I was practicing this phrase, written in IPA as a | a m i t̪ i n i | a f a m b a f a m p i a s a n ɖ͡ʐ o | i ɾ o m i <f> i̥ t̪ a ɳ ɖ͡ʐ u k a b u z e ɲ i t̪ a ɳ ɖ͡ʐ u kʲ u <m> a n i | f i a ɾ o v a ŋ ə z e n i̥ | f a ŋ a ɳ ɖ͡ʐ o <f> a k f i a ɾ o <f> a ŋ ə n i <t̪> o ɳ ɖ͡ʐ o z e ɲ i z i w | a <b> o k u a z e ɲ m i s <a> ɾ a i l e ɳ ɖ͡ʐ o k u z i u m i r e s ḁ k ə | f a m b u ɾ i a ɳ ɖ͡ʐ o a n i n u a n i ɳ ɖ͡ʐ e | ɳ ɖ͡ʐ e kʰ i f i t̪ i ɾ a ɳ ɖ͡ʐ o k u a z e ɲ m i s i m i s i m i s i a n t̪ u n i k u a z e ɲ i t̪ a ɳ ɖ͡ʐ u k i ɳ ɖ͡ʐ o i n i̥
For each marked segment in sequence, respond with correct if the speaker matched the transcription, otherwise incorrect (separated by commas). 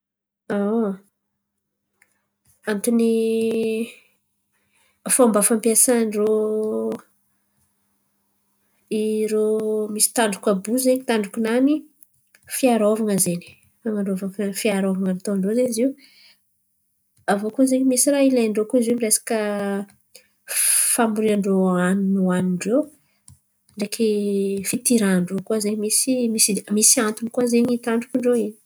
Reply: incorrect, incorrect, incorrect, incorrect, correct, incorrect, incorrect